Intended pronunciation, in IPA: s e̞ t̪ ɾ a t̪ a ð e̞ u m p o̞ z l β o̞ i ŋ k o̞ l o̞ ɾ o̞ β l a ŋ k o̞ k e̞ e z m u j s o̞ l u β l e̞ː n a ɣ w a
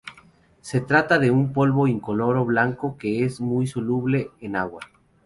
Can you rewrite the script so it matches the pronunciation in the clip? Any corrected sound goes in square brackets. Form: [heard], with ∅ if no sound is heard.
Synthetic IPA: s e̞ t̪ ɾ a t̪ a ð e̞ u m p o̞ [∅] l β o̞ i ŋ k o̞ l o̞ ɾ o̞ β l a ŋ k o̞ k e̞ e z m u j s o̞ l u β l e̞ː n a ɣ w a